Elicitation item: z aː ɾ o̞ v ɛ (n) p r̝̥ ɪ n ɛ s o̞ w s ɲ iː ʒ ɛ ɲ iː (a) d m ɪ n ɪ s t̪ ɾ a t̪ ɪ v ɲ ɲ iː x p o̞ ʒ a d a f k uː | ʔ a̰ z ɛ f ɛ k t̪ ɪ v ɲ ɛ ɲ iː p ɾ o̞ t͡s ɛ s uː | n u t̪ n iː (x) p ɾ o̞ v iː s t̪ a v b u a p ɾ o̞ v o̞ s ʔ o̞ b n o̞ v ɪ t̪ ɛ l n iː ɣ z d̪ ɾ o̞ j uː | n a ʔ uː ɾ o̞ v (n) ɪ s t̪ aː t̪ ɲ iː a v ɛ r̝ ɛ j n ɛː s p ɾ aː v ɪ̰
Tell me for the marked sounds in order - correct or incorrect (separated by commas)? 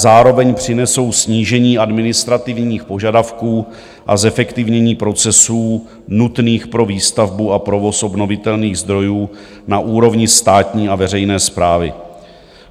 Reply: incorrect, correct, correct, incorrect